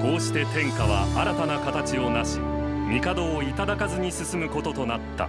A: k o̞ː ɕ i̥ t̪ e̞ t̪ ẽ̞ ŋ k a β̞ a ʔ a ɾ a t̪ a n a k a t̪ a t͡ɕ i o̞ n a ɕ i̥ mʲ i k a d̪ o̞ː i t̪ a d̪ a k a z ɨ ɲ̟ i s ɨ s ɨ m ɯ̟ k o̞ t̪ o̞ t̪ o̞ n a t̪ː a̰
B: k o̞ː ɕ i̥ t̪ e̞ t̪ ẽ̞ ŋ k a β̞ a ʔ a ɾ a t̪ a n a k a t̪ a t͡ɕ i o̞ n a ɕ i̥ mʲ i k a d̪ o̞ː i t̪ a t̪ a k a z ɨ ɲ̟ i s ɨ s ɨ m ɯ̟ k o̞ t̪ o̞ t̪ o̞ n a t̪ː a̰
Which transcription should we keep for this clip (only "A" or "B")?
A